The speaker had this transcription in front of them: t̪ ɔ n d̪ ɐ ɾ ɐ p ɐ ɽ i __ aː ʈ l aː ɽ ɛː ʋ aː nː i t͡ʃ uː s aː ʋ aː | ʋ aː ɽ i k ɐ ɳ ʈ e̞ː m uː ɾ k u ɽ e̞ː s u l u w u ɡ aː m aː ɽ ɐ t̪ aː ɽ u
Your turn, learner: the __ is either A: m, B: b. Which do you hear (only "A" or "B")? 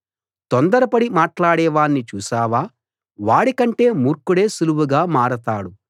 A